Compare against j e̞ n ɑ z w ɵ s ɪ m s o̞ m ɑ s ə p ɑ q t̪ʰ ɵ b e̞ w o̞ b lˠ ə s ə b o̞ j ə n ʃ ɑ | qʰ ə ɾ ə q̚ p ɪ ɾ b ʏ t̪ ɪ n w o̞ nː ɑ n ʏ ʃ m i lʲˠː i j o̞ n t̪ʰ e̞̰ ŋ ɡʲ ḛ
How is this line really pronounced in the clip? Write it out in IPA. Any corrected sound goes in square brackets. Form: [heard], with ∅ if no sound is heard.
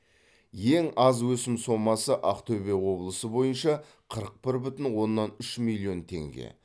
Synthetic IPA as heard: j e̞ [ŋ] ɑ z w ɵ s ɪ m s o̞ m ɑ s ə [ʔ] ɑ q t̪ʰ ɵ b e̞ w o̞ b lˠ ə s ə b o̞ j ə n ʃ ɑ | qʰ ə ɾ ə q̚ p ɪ ɾ b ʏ t̪ ɪ n w o̞ nː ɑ n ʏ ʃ m i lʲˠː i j o̞ n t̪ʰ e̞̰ ŋ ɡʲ ḛ

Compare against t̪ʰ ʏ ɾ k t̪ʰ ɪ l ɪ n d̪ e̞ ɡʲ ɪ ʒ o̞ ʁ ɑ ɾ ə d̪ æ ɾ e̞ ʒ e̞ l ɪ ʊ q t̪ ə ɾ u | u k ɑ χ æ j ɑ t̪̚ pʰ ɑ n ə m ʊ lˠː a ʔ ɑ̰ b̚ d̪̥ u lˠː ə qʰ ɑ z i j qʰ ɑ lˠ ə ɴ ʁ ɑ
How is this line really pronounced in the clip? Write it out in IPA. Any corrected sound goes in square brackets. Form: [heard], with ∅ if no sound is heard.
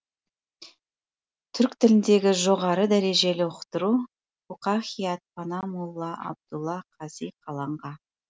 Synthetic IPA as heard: t̪ʰ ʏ ɾ k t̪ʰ ɪ l ɪ n d̪ e̞ ɡʲ ɪ ʒ o̞ ʁ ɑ ɾ ə d̪ æ ɾ e̞ ʒ e̞ l ɪ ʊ q t̪ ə ɾ u | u [q] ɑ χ [i] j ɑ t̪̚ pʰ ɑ n [ɑ] m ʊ lˠː [ɑ] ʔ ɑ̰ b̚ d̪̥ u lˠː [ɑ] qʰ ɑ z i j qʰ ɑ lˠ [ɑ] ɴ ʁ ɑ

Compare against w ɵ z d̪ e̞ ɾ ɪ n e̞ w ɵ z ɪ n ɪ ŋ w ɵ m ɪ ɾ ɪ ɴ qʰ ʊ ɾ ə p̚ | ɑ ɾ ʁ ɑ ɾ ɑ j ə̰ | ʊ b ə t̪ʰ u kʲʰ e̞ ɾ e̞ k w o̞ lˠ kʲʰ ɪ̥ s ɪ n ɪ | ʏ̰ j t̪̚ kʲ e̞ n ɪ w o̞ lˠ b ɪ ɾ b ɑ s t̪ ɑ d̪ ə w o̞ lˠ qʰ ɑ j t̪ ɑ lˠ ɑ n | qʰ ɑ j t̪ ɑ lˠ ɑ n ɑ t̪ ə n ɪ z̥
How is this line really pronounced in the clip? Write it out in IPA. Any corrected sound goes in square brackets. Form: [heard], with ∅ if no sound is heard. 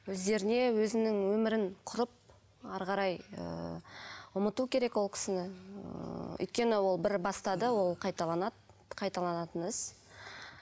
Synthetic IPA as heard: w ɵ z d̪ e̞ ɾ ɪ n e̞ w ɵ z ɪ n ɪ ŋ w ɵ m ɪ ɾ ɪ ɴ qʰ ʊ ɾ ə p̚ | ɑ ɾ ʁ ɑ ɾ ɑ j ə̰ | ʊ [m] ə [t̪] u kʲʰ e̞ ɾ e̞ k w o̞ lˠ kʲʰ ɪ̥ s ɪ n ɪ | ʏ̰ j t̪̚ kʲ e̞ n ɪ w o̞ lˠ b ɪ ɾ b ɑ s t̪ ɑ d̪ ə w o̞ lˠ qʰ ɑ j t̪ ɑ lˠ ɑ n | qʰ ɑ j t̪ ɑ lˠ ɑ n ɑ t̪ ə n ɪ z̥

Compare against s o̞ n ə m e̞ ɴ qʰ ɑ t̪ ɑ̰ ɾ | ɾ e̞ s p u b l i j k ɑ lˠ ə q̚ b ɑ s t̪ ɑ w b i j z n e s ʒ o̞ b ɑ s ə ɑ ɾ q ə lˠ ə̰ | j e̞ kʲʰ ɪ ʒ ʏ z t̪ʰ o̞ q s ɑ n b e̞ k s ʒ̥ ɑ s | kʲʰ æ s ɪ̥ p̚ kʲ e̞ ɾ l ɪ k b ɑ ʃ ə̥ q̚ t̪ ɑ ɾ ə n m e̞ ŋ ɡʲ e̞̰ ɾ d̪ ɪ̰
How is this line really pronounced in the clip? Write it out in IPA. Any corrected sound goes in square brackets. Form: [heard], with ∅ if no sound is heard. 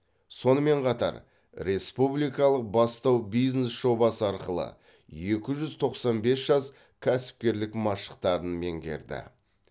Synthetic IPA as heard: s o̞ n ə m e̞ ɴ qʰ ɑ t̪ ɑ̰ ɾ | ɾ e̞ s p u b l i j k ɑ lˠ ə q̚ b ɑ s t̪ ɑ w b i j z n e s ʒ o̞ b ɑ s ə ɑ ɾ q ə lˠ ə̰ | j e̞ [kʲ] ɪ ʒ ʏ z t̪ʰ o̞ q s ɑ n b e̞ [∅] s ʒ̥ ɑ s | kʲʰ æ s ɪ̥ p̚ kʲ e̞ ɾ l ɪ k [m] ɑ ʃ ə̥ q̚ t̪ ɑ ɾ ə n m e̞ ŋ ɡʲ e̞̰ ɾ d̪ ɪ̰

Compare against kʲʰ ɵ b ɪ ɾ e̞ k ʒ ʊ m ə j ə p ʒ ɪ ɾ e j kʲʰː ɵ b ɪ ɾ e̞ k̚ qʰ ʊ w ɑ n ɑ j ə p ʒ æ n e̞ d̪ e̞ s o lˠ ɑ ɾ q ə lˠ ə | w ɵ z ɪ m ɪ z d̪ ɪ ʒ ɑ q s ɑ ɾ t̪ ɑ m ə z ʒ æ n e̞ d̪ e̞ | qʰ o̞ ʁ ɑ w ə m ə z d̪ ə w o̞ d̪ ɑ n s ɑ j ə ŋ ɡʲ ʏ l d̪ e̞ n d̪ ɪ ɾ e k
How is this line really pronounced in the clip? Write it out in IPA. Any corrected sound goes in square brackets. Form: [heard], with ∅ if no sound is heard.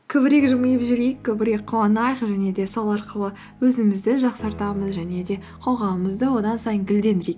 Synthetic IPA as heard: kʲʰ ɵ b ɪ ɾ e̞ k ʒ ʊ m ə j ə p ʒ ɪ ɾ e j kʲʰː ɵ b ɪ ɾ e̞ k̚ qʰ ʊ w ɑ n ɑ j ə [q] ʒ æ n e̞ d̪ e̞ s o lˠ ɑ ɾ q ə lˠ ə | w ɵ z ɪ m ɪ z d̪ ɪ ʒ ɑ q s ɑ ɾ t̪ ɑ m ə z ʒ æ n e̞ d̪ e̞ | qʰ o̞ ʁ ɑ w ə m ə z d̪ ə w o̞ d̪ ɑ n s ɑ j ə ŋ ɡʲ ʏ l d̪ e̞ n d̪ ɪ ɾ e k

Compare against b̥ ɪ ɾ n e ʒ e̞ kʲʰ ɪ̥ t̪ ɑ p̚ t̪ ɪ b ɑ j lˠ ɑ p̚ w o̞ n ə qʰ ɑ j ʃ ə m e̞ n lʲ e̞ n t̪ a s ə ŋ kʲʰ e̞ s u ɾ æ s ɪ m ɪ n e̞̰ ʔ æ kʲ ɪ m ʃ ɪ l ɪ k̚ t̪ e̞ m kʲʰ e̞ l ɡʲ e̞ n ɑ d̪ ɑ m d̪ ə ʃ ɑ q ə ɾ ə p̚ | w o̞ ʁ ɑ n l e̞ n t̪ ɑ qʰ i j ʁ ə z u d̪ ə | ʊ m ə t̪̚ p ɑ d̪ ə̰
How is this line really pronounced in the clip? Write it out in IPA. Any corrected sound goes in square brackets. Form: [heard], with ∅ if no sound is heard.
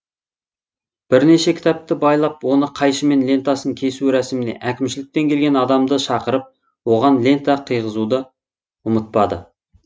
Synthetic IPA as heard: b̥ ɪ ɾ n e [ʃ] e̞ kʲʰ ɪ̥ t̪ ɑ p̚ t̪ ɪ b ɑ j lˠ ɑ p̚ w o̞ n ə qʰ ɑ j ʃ ə m e̞ n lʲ e̞ n t̪ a s ə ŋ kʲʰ e̞ s u ɾ æ s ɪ m ɪ n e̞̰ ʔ æ kʲ ɪ m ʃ ɪ l ɪ k̚ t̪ e̞ [ŋ] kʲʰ e̞ l ɡʲ e̞ n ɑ d̪ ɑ m d̪ ə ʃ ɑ q ə ɾ ə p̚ | w o̞ ʁ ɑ n l e̞ n t̪ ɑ qʰ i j ʁ ə z u d̪ ə | ʊ m ə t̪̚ p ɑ d̪ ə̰

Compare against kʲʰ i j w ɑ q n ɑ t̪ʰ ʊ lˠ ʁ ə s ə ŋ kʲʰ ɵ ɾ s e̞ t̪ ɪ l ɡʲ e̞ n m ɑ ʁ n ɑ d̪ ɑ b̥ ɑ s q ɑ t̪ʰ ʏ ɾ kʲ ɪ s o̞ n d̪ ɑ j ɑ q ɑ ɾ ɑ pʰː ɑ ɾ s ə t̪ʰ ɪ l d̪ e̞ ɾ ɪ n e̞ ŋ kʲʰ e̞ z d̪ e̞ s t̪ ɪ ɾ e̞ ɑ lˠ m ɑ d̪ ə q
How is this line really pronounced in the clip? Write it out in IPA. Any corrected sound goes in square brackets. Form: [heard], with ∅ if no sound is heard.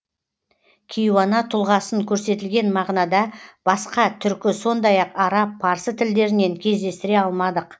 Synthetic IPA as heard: kʲʰ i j w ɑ [∅] n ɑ t̪ʰ ʊ lˠ ʁ [ɑ] s ə ŋ kʲʰ ɵ ɾ s e̞ t̪ ɪ l ɡʲ e̞ n m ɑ ʁ n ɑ d̪ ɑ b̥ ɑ s q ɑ t̪ʰ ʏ ɾ kʲ ɪ s o̞ n d̪ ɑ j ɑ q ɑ ɾ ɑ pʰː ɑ ɾ s ə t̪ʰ ɪ l d̪ e̞ ɾ ɪ n e̞ ŋ kʲʰ e̞ z d̪ e̞ s t̪ ɪ ɾ e̞ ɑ lˠ m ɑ d̪ ə q

